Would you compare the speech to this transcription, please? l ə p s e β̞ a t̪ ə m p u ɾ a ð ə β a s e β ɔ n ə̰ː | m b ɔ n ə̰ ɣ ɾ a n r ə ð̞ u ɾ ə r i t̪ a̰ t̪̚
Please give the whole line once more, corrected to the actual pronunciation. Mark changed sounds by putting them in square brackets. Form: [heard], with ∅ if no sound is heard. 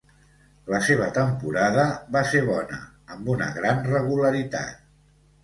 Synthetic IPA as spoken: l ə [∅] s e β̞ [ə] t̪ ə m p u ɾ a ð ə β a s e β ɔ n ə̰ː | m b [u] n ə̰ ɣ ɾ a n r ə [ɣ̞] u [l] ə [ɾ] i t̪ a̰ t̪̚